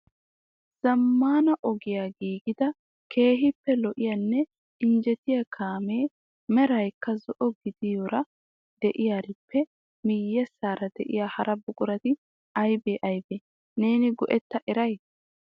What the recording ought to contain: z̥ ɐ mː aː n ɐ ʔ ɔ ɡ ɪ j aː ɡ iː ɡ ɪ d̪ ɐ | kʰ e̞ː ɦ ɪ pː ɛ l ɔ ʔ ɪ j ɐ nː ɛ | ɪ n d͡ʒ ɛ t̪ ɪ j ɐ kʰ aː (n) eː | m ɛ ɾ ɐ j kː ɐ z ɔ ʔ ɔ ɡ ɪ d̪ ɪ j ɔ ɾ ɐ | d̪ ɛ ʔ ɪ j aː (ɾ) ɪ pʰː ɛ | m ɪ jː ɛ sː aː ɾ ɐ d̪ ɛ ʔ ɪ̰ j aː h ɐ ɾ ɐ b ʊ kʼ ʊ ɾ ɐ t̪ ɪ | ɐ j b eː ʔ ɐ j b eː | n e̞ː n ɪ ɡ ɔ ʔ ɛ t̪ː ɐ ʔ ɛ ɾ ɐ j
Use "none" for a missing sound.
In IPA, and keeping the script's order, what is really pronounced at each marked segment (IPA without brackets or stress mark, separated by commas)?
m, ɾ